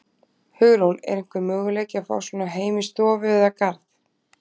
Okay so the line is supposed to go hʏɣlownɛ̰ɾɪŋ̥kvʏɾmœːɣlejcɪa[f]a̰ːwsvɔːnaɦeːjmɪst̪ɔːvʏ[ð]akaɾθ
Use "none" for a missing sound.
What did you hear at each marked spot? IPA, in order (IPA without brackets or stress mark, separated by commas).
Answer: f, ð